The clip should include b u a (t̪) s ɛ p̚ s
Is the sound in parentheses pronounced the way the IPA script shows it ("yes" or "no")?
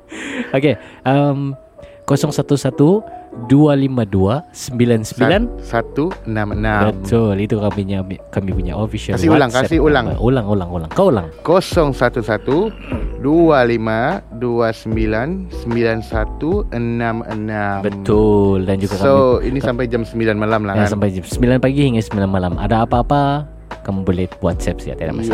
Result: yes